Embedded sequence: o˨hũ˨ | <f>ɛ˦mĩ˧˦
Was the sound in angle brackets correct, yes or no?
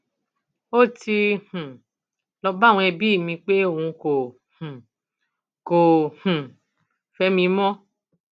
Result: yes